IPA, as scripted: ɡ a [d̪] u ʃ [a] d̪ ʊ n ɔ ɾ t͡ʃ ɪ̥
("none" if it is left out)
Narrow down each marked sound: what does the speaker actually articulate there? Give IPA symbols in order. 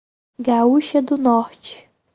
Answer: none, ɐ

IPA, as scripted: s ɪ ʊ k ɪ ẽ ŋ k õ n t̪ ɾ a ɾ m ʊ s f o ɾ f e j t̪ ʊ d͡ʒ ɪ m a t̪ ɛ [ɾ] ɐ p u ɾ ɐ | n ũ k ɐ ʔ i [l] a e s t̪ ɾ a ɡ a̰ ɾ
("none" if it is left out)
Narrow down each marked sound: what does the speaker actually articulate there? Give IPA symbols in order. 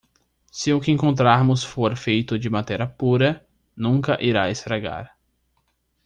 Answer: ɾ, ɾ

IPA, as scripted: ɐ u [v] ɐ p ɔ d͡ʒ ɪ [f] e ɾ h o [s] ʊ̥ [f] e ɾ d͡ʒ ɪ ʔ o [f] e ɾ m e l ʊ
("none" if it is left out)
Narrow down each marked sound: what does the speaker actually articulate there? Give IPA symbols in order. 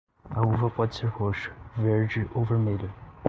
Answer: v, s, ʃ, v, v

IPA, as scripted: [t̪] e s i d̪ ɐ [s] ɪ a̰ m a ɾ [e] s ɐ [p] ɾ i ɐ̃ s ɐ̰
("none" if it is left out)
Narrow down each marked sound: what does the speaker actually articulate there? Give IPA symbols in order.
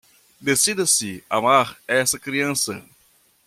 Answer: d̪, s, ɛ, k

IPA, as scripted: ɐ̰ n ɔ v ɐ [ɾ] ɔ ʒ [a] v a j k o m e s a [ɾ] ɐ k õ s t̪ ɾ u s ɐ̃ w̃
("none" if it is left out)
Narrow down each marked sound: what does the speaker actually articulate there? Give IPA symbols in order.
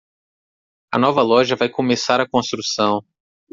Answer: l, ɐ, ɾ

